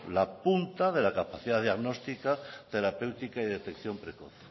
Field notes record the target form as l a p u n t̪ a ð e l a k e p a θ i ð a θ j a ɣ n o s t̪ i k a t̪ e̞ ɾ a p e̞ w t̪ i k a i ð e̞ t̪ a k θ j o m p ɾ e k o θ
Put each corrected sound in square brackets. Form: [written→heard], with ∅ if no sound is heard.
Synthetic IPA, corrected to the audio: l a p u n t̪ a ð e l a k [e→a] p a θ i ð a [θ→ð] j a ɣ n o s t̪ i k a t̪ e̞ ɾ a p e̞ w t̪ i k a i ð e̞ t̪ [a→e] k θ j o m p ɾ e k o θ